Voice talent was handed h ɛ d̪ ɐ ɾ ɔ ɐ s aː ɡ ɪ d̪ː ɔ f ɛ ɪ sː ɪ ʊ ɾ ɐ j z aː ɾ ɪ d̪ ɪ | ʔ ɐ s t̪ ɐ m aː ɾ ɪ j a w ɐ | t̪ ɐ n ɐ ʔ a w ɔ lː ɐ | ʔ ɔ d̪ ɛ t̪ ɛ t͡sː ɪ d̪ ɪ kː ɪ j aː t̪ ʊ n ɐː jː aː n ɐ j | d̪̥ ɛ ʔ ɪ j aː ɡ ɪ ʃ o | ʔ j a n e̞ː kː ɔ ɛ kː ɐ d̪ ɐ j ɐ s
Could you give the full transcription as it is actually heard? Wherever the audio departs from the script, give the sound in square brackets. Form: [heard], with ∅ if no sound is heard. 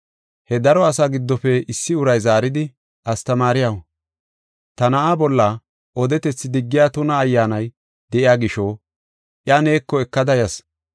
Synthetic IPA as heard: h ɛ d̪ ɐ ɾ ɔ ɐ s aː ɡ ɪ d̪ː ɔ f ɛ ɪ sː ɪ ʊ ɾ ɐ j z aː ɾ ɪ d̪ ɪ | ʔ ɐ s t̪ ɐ m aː ɾ ɪ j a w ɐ | t̪ ɐ n ɐ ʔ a [b] ɔ lː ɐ | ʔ ɔ d̪ ɛ t̪ ɛ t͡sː ɪ d̪ ɪ [ɡː] ɪ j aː t̪ ʊ n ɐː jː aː n ɐ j | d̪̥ ɛ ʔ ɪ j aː ɡ ɪ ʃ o | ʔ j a n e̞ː kː ɔ ɛ kː ɐ d̪ ɐ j ɐ s